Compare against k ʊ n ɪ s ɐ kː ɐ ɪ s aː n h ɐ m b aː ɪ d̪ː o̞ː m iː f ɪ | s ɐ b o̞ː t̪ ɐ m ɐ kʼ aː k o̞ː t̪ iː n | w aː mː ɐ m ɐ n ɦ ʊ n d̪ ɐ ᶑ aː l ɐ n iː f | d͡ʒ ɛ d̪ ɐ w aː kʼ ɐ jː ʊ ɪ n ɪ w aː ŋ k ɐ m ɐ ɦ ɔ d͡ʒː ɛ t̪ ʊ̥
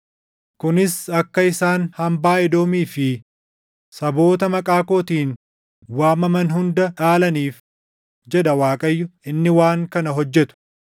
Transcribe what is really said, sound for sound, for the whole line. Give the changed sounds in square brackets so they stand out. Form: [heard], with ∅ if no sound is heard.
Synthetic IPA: k ʊ n ɪ s ɐ kː ɐ ɪ s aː n h ɐ m b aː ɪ [d̪] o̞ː m iː f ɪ | s ɐ b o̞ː t̪ ɐ m ɐ kʼ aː k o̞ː t̪ iː n | w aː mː ɐ m ɐ n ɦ ʊ n d̪ ɐ ᶑ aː l ɐ n iː f | d͡ʒ ɛ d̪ ɐ w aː kʼ ɐ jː ʊ ɪ [nː] ɪ w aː ŋ k ɐ [n] ɐ ɦ ɔ d͡ʒː ɛ t̪ ʊ̥